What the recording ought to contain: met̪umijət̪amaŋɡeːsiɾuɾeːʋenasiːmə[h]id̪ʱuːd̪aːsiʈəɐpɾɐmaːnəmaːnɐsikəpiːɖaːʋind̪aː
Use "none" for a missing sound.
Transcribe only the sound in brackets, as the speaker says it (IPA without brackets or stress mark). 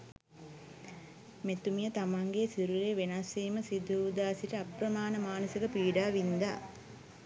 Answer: s